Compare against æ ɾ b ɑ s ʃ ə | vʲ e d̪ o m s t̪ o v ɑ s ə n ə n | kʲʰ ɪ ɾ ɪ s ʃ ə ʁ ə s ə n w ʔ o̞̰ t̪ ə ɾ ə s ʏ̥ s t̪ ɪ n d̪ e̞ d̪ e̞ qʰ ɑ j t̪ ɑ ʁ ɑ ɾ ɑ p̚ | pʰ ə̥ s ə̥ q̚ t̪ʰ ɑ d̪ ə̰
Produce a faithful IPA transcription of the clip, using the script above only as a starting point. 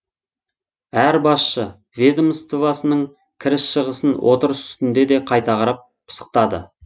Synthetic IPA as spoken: æ ɾ b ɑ s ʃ ə | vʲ e d̪ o m s t̪ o v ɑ s ə n ə ɴ | kʲʰ ɪ ɾ ɪ s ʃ ə ʁ ə s ə n w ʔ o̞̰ t̪ ə ɾ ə s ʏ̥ s t̪ ɪ n d̪ e̞ d̪ e̞ qʰ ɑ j t̪ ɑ ʁ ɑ ɾ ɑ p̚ | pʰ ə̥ s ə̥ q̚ t̪ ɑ d̪ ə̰